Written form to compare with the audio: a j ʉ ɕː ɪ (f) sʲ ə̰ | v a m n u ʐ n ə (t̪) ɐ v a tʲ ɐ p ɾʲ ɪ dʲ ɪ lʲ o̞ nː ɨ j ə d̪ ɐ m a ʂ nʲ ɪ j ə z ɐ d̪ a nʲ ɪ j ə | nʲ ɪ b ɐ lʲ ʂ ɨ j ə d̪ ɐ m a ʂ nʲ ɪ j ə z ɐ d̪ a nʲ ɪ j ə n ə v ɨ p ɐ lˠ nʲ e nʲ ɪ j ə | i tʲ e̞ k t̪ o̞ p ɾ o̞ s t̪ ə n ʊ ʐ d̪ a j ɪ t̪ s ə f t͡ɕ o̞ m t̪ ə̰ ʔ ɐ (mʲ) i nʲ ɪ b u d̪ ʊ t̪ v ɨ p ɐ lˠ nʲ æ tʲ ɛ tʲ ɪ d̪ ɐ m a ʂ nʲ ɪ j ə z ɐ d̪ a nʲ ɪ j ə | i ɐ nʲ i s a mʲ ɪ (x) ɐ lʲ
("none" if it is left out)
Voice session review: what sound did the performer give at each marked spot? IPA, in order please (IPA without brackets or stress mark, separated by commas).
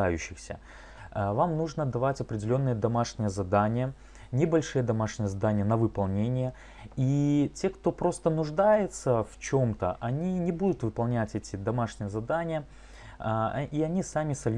x, d̪, nʲ, s